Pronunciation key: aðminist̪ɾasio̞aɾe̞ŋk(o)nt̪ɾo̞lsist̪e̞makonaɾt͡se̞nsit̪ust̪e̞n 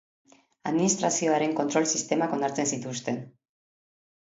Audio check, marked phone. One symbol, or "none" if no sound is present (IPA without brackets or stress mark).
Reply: o